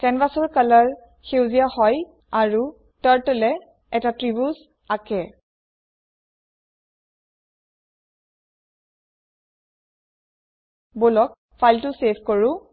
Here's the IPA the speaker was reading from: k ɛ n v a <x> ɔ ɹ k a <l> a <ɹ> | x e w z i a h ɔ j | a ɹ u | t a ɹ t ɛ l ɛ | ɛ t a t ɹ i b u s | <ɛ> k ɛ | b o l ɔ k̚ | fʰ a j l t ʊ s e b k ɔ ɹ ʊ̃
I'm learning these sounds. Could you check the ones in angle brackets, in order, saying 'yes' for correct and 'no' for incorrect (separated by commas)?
no, yes, yes, no